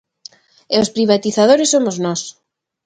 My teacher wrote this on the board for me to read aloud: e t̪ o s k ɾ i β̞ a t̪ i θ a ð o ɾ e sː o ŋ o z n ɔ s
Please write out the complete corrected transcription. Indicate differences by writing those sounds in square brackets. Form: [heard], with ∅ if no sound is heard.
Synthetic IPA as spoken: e [∅] o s [p] ɾ i β̞ a t̪ i θ a ð o ɾ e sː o [m] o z n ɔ s

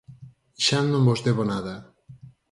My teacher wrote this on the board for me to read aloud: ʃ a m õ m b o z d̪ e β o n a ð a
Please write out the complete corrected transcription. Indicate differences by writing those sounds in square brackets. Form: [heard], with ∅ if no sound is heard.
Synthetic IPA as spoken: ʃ a [n] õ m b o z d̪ e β o n a ð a

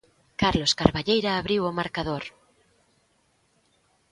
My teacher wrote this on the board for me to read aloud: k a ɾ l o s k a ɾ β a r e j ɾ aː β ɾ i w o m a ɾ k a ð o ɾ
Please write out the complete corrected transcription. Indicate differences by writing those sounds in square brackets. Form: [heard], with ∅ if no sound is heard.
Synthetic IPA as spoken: k a ɾ l o s k a ɾ β a [ʎ] e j ɾ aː β ɾ i w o m a ɾ k a ð o ɾ

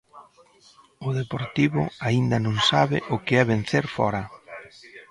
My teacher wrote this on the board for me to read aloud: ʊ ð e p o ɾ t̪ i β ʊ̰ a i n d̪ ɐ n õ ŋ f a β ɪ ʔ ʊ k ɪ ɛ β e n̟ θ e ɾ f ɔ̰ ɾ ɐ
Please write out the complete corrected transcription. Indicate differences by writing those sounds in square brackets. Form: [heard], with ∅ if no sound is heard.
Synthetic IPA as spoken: ʊ ð e p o ɾ t̪ i β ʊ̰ a i n d̪ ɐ n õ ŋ [s] a β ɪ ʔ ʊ k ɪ ɛ β e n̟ θ e ɾ f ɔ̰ ɾ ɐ

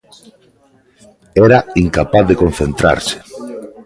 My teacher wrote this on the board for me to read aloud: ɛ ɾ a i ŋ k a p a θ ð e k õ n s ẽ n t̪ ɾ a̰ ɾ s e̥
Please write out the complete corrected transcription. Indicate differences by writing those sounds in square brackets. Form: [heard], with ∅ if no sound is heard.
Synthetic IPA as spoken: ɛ ɾ a i ŋ k a p a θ ð e k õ n [θ] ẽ n t̪ ɾ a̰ ɾ s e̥

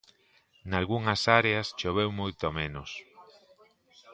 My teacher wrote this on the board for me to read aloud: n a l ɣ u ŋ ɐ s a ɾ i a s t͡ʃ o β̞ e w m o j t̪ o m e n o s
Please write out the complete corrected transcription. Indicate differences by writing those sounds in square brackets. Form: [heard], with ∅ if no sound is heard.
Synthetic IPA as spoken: n a l ɣ u ŋ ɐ s a ɾ [e] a s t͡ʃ o β̞ e w m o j t̪ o m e n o s

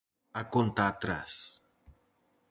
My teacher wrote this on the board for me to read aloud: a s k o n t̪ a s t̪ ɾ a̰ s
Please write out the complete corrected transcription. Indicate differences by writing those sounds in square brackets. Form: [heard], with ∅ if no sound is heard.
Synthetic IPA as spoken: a [∅] k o n t̪ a [∅] t̪ ɾ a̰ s

